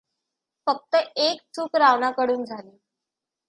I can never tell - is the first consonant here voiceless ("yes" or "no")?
yes